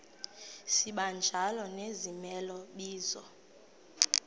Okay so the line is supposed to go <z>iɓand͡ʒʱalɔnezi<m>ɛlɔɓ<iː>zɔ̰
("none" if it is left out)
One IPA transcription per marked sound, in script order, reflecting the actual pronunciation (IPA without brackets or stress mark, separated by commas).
s, m, iː